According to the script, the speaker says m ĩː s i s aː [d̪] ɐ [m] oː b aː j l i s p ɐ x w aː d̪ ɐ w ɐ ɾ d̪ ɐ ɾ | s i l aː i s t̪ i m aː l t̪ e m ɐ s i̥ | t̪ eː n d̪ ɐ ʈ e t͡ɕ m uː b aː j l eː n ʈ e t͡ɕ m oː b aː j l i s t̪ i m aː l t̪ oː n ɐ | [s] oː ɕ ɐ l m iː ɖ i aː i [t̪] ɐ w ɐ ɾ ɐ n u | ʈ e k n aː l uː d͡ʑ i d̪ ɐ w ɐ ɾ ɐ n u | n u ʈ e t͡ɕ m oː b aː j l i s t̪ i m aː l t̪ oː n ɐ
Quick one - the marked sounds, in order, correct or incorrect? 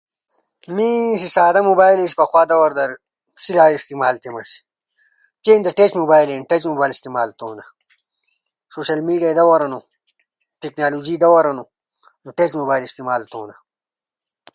correct, correct, correct, incorrect: d̪

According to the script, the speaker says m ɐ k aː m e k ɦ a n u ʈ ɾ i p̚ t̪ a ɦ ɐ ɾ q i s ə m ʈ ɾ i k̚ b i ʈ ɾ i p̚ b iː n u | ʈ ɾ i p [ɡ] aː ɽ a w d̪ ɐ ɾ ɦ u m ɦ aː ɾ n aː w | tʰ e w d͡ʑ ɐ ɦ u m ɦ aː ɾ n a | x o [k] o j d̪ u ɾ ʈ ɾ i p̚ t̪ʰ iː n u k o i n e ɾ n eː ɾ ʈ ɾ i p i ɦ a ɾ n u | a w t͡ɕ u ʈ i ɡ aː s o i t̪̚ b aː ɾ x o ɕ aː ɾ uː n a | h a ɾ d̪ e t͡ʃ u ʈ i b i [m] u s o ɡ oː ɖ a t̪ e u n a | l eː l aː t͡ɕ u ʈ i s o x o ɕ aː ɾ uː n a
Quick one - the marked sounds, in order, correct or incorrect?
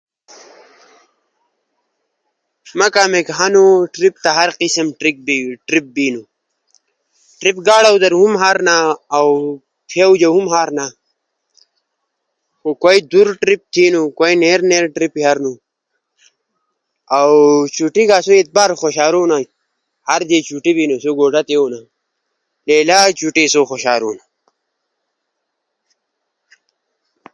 correct, correct, incorrect: n

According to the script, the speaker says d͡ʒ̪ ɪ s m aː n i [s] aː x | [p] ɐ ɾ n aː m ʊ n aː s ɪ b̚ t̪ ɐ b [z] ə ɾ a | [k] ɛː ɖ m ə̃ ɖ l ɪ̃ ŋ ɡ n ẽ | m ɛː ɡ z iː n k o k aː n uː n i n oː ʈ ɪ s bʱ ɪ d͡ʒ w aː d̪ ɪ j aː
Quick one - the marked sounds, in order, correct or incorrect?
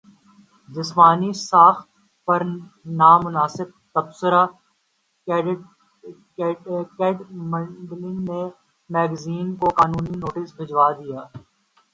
correct, correct, incorrect: s, correct

